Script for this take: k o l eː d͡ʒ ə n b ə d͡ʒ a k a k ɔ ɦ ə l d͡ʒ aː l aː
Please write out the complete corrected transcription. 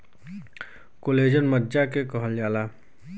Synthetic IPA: k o l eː d͡ʒ ə n m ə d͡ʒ a k e k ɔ ɦ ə l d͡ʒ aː l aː